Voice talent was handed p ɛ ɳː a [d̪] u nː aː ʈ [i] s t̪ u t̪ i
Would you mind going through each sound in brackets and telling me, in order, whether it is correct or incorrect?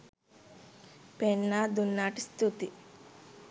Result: correct, correct

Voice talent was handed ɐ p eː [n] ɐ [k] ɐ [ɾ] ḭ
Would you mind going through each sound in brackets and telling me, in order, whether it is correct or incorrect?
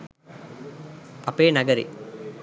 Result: correct, incorrect, correct

